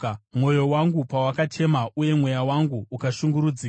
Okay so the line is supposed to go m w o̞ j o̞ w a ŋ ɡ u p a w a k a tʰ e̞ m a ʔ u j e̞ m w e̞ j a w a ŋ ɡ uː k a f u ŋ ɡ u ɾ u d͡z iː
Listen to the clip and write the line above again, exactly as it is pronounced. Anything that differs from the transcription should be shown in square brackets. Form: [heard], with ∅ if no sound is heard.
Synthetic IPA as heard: m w o̞ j o̞ w a ŋ ɡ u p a w a k a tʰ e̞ m a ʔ u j e̞ m w e̞ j a w a ŋ ɡ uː k a [ʃ] u ŋ ɡ u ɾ u d͡z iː